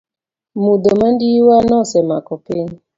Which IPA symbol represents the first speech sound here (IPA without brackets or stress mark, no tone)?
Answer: m